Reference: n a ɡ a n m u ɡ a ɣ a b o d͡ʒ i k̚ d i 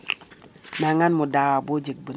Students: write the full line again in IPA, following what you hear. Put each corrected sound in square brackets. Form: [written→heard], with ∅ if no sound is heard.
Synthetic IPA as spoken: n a [ɡ→ŋ] a n m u [ɡ→d] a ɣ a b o d͡ʒ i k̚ [d→b] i